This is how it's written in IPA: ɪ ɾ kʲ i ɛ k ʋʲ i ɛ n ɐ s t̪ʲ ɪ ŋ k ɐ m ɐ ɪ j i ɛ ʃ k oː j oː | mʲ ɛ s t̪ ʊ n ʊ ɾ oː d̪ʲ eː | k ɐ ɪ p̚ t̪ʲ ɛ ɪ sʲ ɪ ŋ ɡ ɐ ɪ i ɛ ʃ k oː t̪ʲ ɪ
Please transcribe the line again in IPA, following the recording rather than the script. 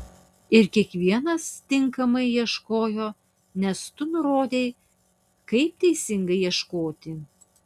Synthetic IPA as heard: ɪ ɾ kʲ i ɛ k ʋʲ i ɛ n ɐ s t̪ʲ ɪ ŋ k ɐ m ɐ ɪ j i ɛ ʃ k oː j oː | nʲ ɛ s t̪ ʊ n ʊ ɾ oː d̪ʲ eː | k ɐ ɪ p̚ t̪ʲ ɛ ɪ sʲ ɪ ŋ ɡ ɐ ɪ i ɛ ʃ k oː t̪ʲ ɪ